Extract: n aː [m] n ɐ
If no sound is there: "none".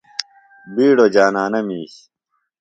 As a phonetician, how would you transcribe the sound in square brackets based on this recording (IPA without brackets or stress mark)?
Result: none